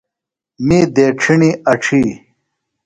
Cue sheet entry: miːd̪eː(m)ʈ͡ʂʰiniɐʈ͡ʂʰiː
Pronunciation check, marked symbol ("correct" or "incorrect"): incorrect